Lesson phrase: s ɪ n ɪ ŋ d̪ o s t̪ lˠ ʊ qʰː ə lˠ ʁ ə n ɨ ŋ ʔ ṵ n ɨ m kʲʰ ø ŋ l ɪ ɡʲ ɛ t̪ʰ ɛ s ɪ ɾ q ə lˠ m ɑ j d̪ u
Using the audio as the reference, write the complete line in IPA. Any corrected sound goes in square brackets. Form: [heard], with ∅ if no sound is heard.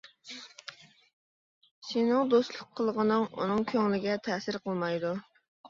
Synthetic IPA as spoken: s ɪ n ɪ ŋ d̪ o s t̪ lˠ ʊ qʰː ə lˠ ʁ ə n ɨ ŋ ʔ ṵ n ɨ [ŋ] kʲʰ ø ŋ l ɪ ɡʲ ɛ t̪ʰ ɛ s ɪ ɾ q ə lˠ m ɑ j d̪ u